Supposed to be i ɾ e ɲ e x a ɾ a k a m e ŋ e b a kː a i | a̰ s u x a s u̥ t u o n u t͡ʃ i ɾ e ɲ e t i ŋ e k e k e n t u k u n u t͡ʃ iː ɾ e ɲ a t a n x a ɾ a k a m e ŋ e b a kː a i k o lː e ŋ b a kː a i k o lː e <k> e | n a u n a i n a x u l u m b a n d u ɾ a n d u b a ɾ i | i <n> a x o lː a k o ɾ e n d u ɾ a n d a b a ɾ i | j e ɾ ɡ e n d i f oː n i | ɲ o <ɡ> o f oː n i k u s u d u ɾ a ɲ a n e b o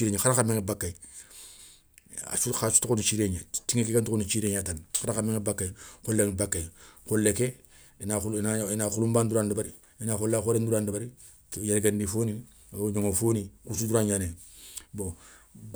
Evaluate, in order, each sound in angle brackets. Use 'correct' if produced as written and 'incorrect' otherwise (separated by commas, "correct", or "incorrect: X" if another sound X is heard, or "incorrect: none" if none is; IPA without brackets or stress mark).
correct, correct, incorrect: ŋ